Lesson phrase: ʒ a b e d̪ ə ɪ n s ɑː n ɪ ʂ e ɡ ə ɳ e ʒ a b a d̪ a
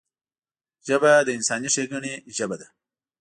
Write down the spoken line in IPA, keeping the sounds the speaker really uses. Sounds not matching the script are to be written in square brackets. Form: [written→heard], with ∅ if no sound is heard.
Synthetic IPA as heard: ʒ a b [e→a] d̪ ə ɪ n s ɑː n [ɪ→i] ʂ e ɡ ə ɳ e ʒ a b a d̪ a